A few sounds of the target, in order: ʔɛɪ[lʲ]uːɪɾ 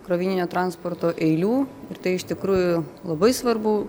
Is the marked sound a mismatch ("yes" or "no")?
no